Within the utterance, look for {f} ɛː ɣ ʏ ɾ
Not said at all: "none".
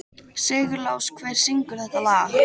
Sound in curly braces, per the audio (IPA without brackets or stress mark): s